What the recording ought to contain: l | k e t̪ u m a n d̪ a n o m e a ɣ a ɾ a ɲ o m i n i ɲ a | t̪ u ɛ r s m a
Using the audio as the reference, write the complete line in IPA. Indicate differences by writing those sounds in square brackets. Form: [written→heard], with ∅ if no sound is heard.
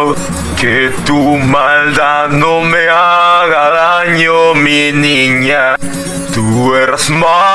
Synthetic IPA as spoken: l | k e t̪ u m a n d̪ a n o m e a ɣ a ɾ a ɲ o m i n i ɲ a | t̪ u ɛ [r→ɾ] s m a